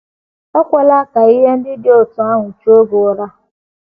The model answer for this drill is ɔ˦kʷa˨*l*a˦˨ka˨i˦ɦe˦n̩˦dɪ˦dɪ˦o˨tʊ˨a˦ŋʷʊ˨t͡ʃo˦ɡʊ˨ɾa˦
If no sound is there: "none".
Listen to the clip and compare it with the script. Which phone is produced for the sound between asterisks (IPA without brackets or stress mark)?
l